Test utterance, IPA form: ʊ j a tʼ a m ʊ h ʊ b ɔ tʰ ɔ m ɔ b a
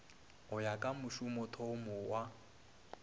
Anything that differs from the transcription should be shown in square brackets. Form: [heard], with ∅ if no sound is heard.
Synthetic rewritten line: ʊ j a [kʼ] a m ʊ [ʃ] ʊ [m] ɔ tʰ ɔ m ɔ [w] a

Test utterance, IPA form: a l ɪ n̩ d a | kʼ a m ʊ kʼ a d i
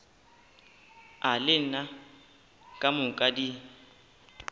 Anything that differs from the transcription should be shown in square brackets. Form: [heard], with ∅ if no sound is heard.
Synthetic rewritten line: a l ɪ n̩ [n] a | kʼ a m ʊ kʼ a d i

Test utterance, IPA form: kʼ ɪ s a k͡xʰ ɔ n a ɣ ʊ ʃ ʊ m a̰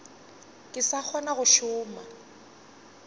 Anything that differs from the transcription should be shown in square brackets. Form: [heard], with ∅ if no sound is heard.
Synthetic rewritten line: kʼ ɪ s a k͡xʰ ɔ n a ɣ ʊ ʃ [ʊː] m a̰

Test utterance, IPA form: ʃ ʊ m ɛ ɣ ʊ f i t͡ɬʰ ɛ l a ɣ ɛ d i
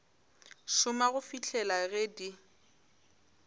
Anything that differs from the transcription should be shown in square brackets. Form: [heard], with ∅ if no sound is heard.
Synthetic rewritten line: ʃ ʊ m [a] ɣ ʊ f i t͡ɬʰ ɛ l a ɣ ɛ d i

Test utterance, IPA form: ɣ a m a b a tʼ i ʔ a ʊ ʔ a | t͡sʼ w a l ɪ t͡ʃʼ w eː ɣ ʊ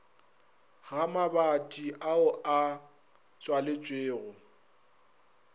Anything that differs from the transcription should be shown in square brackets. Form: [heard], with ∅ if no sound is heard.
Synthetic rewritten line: ɣ a m a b a tʼ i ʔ a ʊ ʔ a | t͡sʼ w a l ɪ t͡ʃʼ w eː ɣ ʊ

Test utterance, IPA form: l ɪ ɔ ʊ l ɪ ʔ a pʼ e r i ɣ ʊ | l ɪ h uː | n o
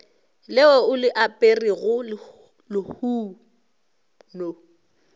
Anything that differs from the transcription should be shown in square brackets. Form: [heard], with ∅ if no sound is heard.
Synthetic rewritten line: l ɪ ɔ ʊ l ɪ ʔ a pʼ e r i ɣ ʊ | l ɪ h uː | n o

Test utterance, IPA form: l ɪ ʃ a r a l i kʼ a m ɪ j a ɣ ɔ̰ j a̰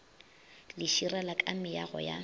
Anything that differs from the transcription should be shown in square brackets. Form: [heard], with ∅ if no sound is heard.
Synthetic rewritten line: l ɪ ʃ [i] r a l [a] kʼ a m ɪ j a ɣ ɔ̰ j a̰

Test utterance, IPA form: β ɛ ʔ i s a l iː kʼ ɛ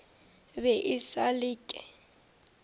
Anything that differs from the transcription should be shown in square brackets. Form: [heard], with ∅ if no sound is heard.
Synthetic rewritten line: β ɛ ʔ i s a l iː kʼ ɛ

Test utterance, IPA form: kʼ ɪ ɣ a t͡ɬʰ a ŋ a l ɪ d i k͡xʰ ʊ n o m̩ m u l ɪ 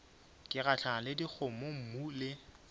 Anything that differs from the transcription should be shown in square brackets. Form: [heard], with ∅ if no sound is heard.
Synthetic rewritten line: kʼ ɪ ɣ a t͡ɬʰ a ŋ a l ɪ d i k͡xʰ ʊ [m] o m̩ m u l ɪ

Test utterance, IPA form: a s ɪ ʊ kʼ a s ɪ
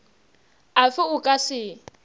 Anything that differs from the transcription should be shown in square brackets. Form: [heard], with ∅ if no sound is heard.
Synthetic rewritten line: a [f] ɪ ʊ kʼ a s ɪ

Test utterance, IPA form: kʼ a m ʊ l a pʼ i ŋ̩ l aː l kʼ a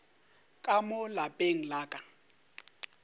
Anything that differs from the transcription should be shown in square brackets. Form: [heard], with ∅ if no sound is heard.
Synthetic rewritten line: kʼ a m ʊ l a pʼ [e] ŋ̩ l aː [∅] kʼ a

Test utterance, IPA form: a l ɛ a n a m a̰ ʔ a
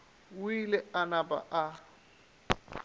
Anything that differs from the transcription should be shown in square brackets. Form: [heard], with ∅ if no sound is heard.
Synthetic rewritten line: [i] l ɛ a n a [b] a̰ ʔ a

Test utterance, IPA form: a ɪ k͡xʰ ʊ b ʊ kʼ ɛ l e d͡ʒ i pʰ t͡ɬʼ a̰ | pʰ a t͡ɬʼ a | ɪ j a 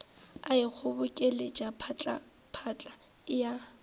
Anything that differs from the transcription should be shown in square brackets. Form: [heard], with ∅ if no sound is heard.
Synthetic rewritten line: a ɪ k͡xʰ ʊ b ʊ kʼ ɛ l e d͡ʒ [a] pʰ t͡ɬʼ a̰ | pʰ a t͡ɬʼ a | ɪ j a

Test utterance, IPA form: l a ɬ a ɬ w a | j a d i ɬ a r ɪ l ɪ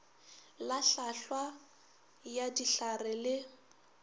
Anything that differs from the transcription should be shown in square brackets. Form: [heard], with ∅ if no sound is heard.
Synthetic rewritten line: l a ɬ a ɬ w a | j a d i ɬ a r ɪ l ɪ

